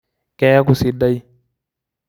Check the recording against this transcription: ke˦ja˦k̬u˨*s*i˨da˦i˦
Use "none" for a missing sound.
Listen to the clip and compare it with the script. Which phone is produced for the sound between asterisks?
s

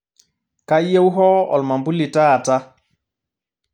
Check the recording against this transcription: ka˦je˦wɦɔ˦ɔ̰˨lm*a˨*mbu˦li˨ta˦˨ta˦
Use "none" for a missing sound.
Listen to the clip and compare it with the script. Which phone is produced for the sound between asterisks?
a˨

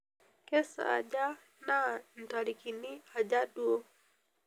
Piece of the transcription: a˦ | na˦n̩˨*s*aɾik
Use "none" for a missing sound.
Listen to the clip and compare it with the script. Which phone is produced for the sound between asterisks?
t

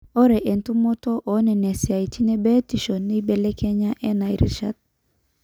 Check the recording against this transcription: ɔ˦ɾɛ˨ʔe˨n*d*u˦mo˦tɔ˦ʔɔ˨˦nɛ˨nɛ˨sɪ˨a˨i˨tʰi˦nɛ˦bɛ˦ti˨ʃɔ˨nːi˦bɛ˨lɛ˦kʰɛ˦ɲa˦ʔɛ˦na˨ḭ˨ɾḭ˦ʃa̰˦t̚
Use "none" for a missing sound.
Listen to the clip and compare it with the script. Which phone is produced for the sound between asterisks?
t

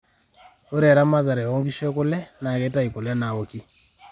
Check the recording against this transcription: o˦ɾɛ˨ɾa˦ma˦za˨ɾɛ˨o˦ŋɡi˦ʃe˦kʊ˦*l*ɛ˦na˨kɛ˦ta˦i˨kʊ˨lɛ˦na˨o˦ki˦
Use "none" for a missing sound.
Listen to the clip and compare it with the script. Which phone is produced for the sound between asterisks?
l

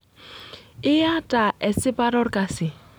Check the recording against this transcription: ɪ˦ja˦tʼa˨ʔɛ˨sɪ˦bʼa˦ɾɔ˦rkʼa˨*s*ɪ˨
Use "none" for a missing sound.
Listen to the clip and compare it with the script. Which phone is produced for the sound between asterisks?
s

